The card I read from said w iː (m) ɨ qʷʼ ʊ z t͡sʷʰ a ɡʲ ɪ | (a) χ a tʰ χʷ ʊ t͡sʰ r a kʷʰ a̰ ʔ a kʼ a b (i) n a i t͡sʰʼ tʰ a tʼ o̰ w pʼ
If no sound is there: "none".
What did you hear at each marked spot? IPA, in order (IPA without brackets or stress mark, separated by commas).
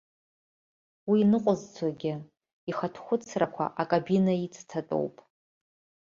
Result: n, i, i